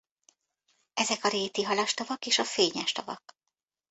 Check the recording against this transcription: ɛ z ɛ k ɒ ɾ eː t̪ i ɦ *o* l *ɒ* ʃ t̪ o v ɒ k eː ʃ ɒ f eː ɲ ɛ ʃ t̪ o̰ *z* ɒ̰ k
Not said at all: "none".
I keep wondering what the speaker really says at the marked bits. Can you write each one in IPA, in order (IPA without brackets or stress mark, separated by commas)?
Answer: ɒ, ɒ, v